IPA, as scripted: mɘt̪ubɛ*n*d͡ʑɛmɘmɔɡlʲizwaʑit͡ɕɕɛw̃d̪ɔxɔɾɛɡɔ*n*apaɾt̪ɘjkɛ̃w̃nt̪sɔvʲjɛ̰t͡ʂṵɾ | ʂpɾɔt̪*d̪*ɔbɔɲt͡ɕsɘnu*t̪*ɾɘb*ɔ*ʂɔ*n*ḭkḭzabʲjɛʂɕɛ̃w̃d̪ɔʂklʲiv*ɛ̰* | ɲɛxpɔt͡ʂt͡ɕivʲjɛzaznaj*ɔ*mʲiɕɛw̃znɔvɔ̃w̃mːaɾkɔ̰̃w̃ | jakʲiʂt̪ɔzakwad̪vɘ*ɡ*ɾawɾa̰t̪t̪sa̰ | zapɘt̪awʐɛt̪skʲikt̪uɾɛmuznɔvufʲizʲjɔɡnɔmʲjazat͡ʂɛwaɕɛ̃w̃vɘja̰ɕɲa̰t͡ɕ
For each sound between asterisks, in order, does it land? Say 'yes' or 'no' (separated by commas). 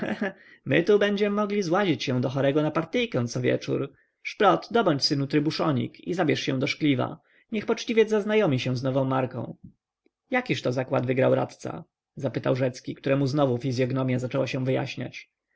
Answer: no, yes, yes, yes, no, no, no, yes, yes